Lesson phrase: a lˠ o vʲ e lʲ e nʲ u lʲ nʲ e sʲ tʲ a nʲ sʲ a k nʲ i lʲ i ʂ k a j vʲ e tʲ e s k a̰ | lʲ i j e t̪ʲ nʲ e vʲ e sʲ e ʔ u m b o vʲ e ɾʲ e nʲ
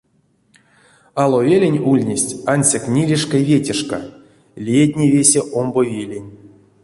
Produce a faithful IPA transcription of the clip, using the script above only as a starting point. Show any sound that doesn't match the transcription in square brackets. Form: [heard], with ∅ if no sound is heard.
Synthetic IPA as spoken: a lˠ o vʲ e lʲ e nʲ u lʲ nʲ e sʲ tʲ a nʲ sʲ a k nʲ i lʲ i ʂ k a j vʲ e tʲ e [ʂ] k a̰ | lʲ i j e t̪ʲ nʲ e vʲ e sʲ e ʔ [o] m b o vʲ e [lʲ] e nʲ